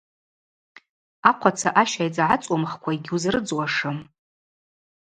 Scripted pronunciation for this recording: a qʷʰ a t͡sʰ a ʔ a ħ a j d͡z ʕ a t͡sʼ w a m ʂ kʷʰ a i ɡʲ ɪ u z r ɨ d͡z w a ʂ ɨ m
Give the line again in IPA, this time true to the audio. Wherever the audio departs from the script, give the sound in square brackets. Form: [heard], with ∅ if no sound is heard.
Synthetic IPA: a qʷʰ a t͡sʰ a ʔ a [ʃ] a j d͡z ʕ a t͡sʼ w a m [χ] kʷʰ a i ɡʲ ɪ u z r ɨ d͡z w a ʂ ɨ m